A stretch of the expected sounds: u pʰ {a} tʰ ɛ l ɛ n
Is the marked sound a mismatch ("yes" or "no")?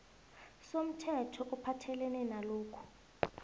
no